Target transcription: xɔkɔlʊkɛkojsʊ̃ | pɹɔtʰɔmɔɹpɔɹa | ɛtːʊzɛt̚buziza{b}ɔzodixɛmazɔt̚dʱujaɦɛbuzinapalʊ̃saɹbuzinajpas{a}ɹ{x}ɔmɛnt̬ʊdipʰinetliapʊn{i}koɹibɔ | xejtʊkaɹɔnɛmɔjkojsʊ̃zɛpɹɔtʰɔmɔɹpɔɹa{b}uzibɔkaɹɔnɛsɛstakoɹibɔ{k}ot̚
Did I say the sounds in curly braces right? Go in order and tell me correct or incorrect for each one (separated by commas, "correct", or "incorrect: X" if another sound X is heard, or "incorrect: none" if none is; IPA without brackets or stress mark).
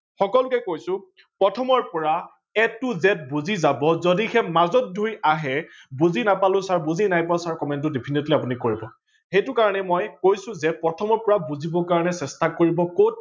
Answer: correct, correct, incorrect: k, correct, correct, correct